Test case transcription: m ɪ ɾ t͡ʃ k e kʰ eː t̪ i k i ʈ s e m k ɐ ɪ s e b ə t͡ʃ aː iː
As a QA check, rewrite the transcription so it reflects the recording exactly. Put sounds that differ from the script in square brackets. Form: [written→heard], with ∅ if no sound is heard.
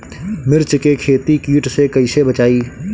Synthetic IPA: m ɪ ɾ t͡ʃ k e kʰ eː t̪ i k [i→iː] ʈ s e [m→∅] k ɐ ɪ s e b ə t͡ʃ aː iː